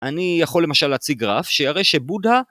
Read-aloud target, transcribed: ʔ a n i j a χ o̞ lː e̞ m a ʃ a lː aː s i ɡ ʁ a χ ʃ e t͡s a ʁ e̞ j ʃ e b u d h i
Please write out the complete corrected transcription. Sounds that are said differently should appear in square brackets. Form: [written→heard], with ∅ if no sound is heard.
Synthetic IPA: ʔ a n i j a χ o̞ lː e̞ m a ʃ a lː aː [s→t͡s] i ɡ ʁ a [χ→f] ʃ e [t͡s→∅] a ʁ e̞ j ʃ e b u d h [i→a]